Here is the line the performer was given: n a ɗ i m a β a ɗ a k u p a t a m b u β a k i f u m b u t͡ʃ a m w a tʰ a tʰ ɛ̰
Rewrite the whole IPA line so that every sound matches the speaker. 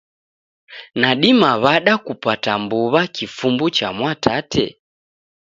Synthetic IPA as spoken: n a ɗ i m a β a ɗ a k u p a t a m b u β a k i f u m b u t͡ʃ a m w a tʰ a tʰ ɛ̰